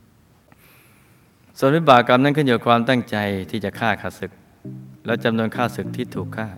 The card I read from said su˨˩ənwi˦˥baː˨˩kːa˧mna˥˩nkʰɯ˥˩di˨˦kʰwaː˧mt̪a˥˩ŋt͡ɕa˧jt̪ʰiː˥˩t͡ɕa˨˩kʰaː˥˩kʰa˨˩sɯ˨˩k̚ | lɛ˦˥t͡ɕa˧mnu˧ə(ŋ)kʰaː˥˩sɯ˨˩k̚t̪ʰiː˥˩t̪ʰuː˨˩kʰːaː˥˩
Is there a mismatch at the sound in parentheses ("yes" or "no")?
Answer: yes